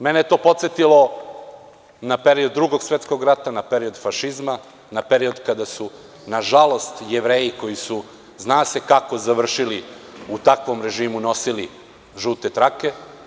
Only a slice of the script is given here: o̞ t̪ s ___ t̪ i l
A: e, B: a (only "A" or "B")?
A